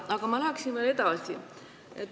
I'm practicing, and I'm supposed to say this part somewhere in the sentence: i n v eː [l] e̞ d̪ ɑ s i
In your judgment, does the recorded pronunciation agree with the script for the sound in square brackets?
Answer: yes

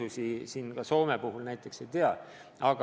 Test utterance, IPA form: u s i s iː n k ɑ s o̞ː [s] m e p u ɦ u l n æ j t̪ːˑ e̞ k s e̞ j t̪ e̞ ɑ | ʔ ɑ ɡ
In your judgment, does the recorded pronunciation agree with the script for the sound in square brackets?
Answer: no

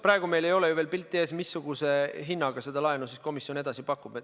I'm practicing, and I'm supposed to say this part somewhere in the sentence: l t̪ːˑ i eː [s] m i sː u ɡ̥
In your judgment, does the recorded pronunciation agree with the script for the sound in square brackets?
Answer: yes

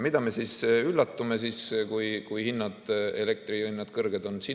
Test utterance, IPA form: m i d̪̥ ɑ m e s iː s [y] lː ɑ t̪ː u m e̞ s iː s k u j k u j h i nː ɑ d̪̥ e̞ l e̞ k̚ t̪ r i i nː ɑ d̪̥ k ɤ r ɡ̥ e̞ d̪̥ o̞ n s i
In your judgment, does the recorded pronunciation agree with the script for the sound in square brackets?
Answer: yes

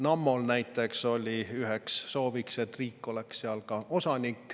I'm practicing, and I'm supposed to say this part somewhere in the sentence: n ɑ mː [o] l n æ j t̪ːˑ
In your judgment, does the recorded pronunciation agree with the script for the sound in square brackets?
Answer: yes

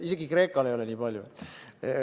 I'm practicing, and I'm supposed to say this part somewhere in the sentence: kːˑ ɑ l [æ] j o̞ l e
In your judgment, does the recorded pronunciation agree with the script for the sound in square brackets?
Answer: no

